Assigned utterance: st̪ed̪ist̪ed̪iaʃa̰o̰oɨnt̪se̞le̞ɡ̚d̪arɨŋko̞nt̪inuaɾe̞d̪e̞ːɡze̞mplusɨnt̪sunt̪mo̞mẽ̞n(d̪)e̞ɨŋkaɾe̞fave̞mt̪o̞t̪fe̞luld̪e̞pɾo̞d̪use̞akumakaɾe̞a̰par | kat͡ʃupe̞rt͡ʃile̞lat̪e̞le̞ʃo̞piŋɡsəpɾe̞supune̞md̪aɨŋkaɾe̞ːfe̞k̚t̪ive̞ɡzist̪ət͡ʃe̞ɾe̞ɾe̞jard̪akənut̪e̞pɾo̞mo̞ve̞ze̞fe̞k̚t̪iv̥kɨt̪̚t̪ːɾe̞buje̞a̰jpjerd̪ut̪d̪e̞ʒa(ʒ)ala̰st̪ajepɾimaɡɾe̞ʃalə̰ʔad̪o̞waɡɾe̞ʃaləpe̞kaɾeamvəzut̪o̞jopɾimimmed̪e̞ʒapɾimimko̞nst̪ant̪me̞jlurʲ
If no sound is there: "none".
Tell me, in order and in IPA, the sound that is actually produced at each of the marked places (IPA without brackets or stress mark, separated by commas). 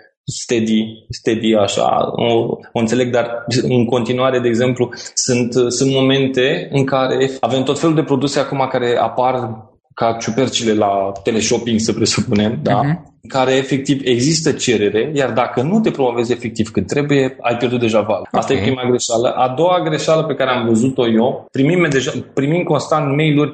t̪, v